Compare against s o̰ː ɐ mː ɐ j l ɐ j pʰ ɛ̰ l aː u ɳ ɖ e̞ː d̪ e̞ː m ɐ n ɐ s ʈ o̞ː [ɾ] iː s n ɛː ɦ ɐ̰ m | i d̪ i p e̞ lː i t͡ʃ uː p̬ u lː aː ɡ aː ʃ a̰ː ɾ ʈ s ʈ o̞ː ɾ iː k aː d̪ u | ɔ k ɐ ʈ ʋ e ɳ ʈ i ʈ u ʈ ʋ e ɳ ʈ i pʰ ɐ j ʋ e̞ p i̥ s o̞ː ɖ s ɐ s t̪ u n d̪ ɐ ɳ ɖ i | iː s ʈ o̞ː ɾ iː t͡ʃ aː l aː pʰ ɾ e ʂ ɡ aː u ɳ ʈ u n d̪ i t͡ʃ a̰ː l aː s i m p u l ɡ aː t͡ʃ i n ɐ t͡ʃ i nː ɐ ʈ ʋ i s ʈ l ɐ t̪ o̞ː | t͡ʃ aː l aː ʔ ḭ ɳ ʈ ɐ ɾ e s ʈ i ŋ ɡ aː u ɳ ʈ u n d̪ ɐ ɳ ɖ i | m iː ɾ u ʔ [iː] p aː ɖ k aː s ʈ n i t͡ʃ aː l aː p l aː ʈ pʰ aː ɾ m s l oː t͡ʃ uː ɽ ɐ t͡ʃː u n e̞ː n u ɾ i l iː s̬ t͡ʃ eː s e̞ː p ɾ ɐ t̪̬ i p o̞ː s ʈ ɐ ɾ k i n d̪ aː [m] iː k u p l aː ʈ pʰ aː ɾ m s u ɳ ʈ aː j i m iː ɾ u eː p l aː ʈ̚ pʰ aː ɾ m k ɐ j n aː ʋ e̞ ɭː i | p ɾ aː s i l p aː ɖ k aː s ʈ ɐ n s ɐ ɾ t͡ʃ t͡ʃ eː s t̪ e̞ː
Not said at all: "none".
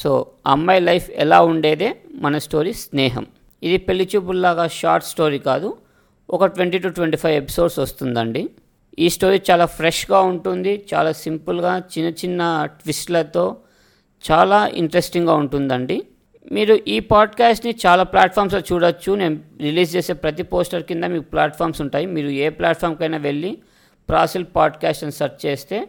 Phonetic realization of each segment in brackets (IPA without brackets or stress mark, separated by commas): ɾ, iː, m